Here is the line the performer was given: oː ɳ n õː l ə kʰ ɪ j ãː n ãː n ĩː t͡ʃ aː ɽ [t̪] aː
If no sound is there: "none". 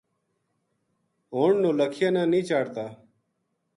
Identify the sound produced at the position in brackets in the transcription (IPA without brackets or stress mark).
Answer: t̪